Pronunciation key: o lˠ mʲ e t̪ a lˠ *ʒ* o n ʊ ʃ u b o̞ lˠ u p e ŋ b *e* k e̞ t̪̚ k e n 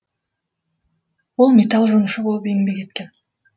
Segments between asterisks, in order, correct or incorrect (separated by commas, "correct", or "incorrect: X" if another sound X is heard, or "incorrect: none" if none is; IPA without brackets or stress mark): correct, correct